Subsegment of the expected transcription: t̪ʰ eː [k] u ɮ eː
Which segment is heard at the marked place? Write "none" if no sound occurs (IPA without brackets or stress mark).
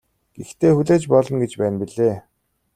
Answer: x